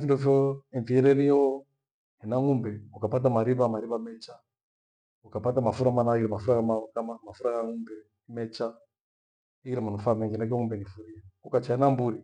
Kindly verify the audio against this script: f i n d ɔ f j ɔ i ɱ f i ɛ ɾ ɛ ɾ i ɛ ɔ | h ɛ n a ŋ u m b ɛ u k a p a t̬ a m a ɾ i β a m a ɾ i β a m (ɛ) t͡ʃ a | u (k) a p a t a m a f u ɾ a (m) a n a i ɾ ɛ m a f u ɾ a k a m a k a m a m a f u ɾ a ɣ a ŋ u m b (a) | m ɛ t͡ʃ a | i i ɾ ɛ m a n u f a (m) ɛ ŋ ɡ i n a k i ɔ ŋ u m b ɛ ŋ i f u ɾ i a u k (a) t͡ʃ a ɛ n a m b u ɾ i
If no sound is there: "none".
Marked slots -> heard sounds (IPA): ɛ, k, m, ɛ, m, a

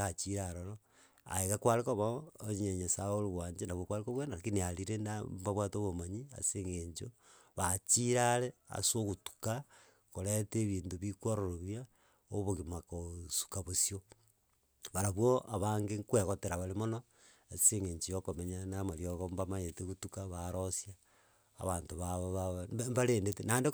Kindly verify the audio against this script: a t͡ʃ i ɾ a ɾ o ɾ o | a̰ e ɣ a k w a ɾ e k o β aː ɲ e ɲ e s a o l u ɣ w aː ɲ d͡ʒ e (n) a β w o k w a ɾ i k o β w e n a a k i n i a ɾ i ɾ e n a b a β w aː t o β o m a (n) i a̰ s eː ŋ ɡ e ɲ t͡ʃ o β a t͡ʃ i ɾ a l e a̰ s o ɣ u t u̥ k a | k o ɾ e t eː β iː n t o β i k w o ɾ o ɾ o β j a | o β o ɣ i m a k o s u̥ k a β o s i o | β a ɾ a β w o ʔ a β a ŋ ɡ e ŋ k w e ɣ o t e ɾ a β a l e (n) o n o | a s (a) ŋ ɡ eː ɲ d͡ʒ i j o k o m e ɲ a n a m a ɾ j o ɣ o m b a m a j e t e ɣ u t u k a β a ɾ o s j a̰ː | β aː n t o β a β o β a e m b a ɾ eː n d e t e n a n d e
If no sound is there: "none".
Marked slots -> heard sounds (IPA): n, ɲ, m, e

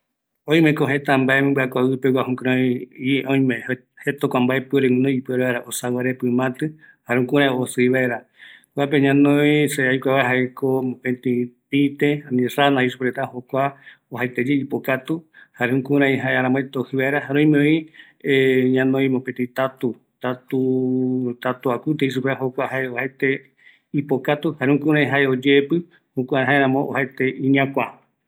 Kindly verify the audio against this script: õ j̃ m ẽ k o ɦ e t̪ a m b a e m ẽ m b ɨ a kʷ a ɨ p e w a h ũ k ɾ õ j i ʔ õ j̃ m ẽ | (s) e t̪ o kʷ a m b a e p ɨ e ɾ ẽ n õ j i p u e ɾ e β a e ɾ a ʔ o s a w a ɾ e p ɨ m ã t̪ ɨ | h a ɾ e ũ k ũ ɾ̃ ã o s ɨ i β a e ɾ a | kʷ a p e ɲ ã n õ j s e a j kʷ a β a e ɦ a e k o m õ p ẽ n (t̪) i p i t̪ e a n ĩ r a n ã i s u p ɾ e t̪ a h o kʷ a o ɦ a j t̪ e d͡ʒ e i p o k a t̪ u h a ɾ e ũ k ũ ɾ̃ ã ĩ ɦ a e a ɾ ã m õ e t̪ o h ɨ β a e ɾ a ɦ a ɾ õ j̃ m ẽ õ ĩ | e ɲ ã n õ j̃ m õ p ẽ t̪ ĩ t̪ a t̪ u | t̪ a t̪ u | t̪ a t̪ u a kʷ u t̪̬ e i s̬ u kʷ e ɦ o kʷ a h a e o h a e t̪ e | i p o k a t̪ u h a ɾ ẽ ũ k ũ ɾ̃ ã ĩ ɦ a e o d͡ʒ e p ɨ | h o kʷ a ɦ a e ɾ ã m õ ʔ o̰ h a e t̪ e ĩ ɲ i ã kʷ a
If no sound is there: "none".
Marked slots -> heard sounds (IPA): h, t̪

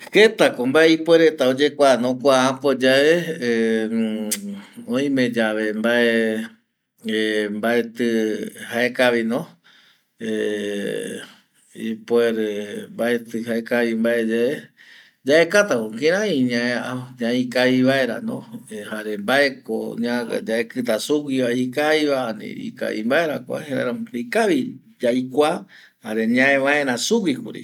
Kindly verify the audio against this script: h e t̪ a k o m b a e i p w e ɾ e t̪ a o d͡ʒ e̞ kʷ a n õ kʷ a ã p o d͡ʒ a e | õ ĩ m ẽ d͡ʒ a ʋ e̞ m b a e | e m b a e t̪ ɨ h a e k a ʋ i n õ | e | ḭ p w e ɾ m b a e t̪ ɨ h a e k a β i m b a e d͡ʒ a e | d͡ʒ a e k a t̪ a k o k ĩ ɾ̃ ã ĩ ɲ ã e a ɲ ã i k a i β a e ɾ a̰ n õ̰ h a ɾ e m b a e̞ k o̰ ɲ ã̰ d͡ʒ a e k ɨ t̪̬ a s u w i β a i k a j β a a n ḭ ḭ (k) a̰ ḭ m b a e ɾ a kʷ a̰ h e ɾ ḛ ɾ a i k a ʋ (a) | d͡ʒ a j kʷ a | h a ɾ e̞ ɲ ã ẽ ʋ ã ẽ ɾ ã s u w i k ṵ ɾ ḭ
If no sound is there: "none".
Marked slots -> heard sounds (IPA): k, i

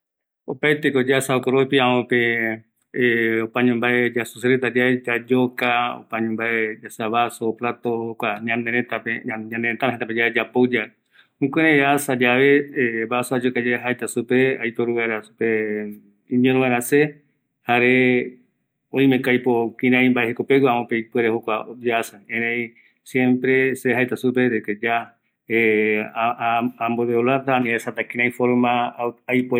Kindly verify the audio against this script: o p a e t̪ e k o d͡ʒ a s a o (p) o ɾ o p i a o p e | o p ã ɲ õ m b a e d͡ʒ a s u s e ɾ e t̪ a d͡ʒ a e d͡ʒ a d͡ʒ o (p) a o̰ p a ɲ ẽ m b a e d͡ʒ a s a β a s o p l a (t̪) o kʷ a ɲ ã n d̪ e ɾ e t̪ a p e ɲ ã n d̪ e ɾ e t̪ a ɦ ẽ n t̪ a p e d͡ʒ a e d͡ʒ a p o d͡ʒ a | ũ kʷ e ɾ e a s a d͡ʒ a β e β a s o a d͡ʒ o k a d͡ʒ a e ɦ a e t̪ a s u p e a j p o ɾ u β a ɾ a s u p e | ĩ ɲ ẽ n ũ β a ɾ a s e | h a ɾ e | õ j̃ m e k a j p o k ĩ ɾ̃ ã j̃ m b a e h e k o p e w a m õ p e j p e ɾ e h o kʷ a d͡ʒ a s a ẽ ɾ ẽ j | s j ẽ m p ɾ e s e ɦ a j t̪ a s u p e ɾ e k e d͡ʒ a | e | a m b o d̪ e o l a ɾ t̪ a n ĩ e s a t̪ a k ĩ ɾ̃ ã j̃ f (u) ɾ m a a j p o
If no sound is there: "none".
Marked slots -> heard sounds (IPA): k, k, t̪, o

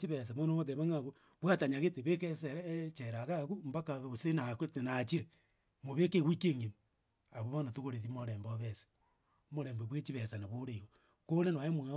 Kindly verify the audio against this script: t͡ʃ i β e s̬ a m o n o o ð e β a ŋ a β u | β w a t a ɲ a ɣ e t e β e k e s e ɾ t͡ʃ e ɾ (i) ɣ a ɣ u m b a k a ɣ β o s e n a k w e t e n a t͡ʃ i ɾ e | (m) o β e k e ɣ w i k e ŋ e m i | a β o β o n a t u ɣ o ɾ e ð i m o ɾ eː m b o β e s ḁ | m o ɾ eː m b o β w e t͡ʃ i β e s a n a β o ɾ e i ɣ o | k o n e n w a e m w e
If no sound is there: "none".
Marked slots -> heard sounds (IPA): a, m

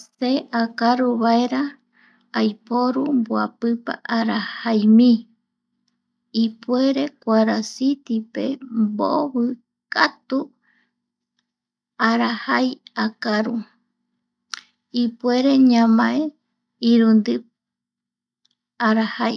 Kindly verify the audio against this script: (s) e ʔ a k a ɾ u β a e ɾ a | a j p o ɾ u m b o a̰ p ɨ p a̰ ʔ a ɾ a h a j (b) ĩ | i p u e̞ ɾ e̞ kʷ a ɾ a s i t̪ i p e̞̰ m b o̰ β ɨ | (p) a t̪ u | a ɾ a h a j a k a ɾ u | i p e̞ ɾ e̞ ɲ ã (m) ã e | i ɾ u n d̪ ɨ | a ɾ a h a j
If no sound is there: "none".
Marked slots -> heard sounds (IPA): s, m, k, m

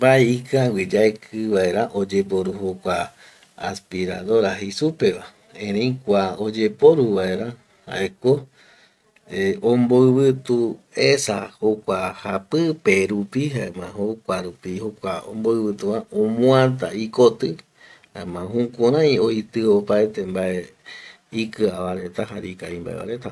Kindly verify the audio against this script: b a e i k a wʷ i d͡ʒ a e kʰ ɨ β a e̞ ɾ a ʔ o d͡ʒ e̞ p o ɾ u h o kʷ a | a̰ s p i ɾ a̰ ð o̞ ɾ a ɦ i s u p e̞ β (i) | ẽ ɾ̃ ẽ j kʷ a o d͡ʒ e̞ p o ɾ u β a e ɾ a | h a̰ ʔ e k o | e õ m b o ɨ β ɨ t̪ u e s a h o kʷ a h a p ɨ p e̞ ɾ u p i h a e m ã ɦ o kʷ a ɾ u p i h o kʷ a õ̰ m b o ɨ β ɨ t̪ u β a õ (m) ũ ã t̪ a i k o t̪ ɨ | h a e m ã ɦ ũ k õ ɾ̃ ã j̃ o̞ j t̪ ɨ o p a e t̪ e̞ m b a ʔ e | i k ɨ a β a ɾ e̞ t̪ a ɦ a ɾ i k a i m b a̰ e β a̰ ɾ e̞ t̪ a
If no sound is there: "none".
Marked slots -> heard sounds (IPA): a, m

